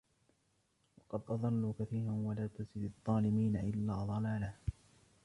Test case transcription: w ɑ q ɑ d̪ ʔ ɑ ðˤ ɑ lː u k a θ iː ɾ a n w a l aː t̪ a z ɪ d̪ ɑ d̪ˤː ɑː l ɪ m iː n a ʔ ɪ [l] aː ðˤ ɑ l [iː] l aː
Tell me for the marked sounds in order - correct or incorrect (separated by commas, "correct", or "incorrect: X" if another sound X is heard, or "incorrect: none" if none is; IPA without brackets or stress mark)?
incorrect: lː, incorrect: aː